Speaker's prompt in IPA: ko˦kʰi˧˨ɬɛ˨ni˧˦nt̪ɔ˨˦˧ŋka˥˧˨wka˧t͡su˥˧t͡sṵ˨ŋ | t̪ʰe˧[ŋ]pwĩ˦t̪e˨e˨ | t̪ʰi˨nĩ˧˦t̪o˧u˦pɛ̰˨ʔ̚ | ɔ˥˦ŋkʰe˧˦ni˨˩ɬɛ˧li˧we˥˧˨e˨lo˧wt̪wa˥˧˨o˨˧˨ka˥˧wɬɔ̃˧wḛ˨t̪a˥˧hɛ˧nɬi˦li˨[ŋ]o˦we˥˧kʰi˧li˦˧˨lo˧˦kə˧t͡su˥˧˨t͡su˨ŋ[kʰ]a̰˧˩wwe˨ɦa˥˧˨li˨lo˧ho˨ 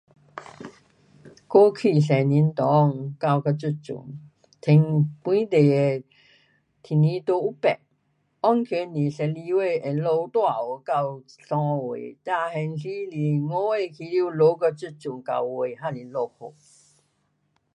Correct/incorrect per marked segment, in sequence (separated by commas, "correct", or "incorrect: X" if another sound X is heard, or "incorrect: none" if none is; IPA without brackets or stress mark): correct, correct, incorrect: k